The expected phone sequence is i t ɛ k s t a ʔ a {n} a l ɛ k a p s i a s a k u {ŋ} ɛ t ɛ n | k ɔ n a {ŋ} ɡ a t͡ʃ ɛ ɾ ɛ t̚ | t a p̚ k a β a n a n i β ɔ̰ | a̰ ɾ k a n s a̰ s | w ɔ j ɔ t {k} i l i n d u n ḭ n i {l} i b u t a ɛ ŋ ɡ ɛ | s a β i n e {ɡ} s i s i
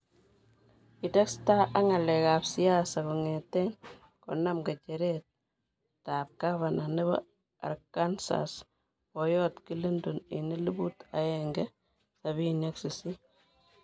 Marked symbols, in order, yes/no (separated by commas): no, yes, no, yes, yes, no